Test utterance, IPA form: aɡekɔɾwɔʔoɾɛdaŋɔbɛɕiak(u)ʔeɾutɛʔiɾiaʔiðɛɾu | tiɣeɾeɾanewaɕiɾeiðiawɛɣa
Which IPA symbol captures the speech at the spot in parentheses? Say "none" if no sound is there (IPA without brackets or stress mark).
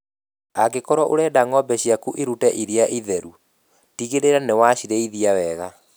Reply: u